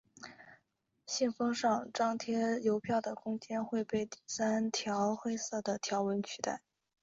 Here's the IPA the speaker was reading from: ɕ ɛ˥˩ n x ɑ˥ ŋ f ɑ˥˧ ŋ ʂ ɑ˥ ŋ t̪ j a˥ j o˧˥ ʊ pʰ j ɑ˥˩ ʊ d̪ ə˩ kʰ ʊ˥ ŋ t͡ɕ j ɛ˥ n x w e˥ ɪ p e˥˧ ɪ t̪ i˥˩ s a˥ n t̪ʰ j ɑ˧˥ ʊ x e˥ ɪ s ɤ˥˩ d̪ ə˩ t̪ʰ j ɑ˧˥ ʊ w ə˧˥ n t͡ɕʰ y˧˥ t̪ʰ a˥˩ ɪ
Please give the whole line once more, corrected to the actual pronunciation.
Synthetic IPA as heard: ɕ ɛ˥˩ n f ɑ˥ ŋ ʂ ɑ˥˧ ŋ ʈ͡ʂ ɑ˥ ŋ t̪ʰ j ɛ˥ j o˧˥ ʊ pʰ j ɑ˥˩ ʊ d̪ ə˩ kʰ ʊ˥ ŋ t͡ɕ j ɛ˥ n x w e˥˧ ɪ p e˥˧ ɪ t̪ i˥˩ s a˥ n t̪ʰ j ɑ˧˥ ʊ x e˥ ɪ s ɤ˥˩ d̪ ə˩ t̪ʰ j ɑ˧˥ ʊ w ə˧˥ n t͡ɕʰ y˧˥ t̪ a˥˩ ɪ